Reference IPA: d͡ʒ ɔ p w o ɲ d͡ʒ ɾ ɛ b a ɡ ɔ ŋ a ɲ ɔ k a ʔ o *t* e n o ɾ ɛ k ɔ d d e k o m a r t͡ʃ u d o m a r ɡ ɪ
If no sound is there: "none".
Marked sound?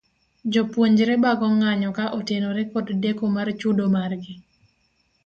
t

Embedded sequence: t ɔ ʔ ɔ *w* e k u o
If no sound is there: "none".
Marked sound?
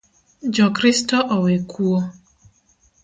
w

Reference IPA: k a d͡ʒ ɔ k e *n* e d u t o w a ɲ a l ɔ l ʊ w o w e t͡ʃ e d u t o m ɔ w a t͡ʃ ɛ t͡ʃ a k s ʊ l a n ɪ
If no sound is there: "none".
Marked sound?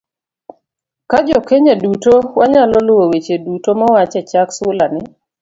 ɲ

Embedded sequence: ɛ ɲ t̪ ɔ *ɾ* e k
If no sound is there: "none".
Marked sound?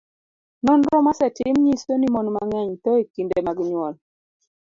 none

